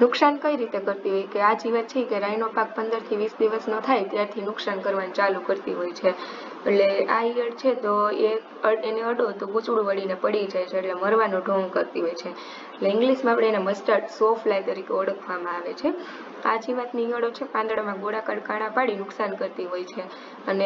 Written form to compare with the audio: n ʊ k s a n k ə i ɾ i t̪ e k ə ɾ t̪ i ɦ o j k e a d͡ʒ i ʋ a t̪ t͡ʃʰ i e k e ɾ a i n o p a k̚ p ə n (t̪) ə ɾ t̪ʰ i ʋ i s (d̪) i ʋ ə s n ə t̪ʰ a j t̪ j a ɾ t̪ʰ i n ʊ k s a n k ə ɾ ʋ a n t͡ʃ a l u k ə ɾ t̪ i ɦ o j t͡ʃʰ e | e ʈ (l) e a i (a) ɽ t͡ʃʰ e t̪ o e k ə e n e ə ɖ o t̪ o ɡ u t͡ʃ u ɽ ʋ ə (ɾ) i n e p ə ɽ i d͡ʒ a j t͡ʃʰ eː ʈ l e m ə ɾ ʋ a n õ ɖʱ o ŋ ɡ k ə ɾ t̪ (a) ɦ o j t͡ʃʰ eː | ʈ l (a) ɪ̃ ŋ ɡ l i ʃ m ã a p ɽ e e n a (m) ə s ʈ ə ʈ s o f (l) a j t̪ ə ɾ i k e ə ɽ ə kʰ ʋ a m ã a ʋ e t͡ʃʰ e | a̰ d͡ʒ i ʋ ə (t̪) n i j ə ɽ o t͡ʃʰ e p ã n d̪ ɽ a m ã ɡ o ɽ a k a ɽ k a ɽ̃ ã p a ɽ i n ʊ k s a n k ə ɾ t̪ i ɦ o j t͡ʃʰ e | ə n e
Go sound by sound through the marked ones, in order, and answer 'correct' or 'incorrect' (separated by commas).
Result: incorrect, correct, correct, incorrect, incorrect, incorrect, incorrect, correct, correct, correct